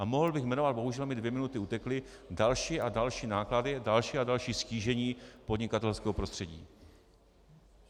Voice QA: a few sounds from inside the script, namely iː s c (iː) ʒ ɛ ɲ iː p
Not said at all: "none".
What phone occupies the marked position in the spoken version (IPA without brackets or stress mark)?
iː